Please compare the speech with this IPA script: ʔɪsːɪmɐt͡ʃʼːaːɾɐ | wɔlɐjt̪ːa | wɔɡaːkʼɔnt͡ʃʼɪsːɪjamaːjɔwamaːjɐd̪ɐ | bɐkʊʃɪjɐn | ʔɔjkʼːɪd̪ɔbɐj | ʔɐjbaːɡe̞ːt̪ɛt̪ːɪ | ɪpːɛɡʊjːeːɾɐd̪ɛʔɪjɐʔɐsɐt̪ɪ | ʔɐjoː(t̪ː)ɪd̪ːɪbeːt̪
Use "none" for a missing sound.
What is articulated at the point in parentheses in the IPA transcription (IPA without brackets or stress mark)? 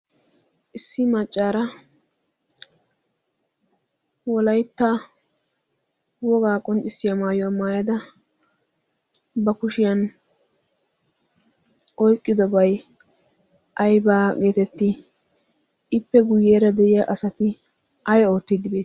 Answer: t̪ː